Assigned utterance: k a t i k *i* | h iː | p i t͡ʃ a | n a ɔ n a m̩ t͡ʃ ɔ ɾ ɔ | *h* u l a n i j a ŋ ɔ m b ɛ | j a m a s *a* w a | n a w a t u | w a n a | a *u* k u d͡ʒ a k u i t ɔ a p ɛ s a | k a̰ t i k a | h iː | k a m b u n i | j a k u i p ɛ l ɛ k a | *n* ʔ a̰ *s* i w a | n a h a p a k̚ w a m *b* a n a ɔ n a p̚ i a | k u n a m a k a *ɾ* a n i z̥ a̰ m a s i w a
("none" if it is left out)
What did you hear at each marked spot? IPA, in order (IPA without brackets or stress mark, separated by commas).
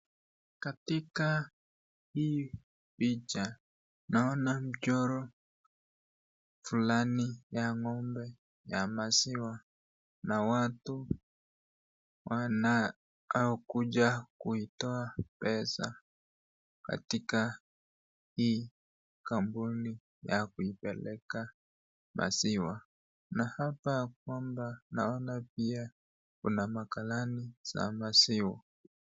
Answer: a, f, i, ɔ, m, s, b, l